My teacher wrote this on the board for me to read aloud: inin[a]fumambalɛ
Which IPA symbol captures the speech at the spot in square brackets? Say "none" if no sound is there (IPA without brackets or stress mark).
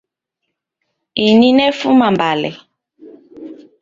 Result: ɛ